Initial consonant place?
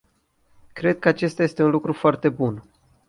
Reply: velar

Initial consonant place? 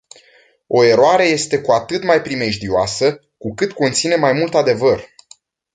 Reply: alveolar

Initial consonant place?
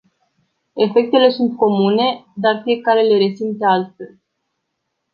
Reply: labial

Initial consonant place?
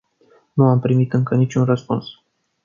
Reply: alveolar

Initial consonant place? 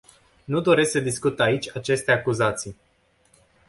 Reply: alveolar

